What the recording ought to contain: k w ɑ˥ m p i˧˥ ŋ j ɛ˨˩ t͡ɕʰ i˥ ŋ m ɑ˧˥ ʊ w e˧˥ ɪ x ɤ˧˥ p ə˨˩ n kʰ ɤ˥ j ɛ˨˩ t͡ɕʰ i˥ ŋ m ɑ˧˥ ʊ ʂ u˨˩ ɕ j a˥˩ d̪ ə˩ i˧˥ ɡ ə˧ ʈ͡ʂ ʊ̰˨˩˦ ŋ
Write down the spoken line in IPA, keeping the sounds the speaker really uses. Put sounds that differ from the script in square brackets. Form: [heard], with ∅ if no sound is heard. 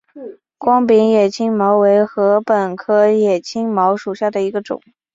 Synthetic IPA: k w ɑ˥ [ŋ] p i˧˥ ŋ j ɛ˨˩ t͡ɕʰ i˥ ŋ m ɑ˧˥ ʊ w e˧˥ ɪ x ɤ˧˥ p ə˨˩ n kʰ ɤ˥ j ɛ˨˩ t͡ɕʰ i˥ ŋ m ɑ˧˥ ʊ ʂ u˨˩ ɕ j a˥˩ d̪ ə˩ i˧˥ ɡ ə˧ ʈ͡ʂ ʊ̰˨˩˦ ŋ